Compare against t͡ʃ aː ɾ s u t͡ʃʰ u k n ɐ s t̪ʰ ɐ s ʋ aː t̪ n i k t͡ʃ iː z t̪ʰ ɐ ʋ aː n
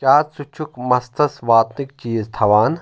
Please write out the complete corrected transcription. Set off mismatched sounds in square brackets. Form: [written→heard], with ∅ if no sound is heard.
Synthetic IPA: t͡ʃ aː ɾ s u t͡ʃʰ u k [n→m] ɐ s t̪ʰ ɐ s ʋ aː t̪ n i k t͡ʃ iː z t̪ʰ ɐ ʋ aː n